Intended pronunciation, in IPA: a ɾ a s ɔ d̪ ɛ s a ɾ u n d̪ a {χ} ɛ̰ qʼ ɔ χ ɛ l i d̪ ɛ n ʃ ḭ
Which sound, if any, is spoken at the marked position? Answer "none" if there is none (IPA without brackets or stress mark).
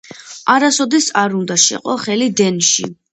ʃ